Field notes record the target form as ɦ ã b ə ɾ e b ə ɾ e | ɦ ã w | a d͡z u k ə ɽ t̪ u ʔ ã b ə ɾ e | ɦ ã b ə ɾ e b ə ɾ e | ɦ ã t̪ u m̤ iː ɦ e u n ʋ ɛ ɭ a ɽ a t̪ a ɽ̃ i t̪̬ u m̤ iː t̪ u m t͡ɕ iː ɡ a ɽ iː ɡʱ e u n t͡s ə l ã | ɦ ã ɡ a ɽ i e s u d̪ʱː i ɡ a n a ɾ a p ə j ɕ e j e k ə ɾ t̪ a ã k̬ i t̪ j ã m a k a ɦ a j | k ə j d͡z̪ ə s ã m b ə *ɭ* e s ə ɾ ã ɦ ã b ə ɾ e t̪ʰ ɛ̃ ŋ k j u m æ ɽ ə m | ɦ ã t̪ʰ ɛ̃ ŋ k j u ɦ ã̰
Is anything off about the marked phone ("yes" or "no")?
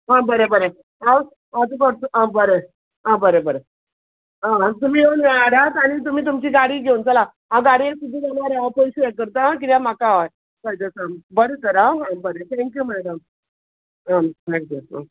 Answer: yes